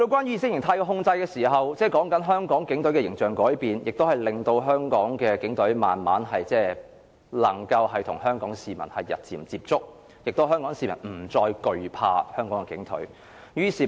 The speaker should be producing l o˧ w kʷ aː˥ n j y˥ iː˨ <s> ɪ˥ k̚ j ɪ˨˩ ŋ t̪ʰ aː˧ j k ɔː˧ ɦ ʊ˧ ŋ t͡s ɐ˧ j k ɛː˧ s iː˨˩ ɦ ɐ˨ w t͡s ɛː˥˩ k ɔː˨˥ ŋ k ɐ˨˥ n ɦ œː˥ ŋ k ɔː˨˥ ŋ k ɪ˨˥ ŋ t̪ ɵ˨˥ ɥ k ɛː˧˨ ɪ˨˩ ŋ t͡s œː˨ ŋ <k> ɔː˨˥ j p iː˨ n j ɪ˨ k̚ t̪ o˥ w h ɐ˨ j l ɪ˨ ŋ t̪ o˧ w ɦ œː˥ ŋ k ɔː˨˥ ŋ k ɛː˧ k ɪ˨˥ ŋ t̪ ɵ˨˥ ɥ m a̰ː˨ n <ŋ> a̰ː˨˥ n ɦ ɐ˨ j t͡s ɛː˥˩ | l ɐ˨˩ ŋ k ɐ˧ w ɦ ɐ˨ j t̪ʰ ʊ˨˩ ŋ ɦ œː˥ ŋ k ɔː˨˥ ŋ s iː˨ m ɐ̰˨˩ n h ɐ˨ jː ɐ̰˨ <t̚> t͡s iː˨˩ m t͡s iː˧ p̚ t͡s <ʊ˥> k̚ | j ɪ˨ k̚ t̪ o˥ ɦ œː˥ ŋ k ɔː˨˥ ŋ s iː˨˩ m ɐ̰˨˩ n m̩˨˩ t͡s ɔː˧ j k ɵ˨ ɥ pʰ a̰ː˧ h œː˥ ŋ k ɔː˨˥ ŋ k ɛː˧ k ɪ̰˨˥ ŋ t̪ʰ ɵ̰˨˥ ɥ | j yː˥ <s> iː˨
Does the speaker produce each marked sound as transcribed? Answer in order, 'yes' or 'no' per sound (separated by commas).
yes, yes, no, yes, yes, yes